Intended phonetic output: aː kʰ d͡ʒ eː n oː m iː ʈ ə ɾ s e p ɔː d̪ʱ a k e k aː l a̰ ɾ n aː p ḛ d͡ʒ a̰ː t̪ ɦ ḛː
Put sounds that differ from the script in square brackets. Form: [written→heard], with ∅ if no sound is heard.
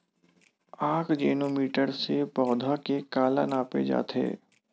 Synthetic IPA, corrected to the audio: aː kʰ d͡ʒ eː n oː m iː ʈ ə ɾ s e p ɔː d̪ʱ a k e k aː l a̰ [ɾ→∅] n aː p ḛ d͡ʒ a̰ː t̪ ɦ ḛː